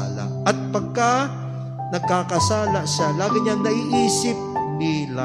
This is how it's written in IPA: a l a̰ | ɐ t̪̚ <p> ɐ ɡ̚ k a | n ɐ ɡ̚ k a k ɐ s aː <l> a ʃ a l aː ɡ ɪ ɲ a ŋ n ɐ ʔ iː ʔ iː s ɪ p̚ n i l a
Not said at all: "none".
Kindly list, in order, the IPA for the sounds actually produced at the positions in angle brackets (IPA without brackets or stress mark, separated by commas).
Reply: p, l